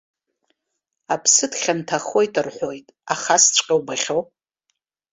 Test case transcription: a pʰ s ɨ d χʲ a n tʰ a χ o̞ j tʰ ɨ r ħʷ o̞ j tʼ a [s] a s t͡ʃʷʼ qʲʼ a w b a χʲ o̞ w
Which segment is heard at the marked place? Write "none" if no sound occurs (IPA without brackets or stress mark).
χ